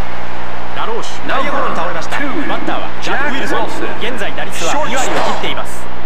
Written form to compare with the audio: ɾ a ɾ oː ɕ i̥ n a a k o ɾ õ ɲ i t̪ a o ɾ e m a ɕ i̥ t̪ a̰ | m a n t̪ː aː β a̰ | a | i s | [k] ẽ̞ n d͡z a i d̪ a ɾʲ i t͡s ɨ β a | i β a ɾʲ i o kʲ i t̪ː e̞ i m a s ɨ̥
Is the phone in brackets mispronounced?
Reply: yes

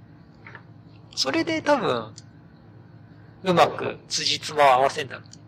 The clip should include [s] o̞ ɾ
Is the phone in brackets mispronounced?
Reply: no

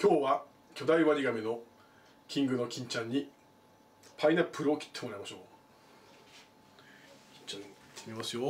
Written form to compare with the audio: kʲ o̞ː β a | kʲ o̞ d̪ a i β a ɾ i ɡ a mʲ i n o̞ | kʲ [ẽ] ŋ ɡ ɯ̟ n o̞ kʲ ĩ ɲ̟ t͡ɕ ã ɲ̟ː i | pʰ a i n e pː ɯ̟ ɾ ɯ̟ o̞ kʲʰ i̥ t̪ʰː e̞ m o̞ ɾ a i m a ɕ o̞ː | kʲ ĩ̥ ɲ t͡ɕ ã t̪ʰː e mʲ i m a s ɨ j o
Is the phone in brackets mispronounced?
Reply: yes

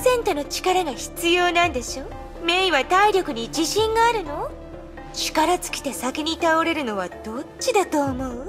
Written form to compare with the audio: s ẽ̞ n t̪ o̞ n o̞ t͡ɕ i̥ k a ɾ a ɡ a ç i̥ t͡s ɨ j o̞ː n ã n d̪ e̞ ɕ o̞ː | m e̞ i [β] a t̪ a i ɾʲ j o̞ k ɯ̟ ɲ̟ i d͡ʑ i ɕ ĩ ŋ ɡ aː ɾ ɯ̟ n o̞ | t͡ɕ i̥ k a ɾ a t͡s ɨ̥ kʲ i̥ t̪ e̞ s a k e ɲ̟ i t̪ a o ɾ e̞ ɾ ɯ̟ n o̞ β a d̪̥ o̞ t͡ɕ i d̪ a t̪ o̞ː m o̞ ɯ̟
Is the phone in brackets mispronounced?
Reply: no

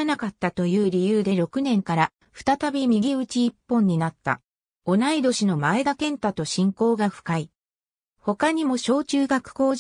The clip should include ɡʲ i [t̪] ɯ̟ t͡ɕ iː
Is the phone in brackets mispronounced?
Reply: yes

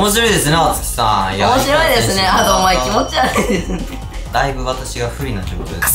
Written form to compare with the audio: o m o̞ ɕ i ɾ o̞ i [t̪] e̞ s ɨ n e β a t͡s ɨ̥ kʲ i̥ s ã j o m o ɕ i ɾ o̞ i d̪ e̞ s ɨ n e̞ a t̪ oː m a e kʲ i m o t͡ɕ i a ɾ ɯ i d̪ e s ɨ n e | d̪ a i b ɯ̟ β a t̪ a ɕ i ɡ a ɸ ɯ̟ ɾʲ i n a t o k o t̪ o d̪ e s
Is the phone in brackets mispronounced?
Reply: yes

